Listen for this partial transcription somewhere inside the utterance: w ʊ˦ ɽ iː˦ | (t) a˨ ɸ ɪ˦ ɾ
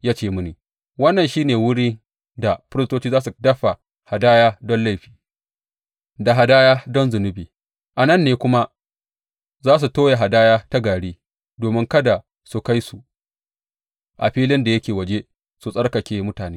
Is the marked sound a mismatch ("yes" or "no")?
yes